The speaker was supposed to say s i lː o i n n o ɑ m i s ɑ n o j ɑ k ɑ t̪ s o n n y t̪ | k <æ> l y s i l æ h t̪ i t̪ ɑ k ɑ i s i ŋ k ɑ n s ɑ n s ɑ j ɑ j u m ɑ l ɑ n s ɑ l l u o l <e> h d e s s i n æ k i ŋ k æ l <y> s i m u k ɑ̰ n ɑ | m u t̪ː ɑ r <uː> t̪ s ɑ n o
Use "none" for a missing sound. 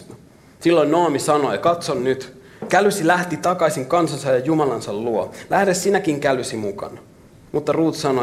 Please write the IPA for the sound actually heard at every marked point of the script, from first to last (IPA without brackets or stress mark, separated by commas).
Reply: æ, æ, y, uː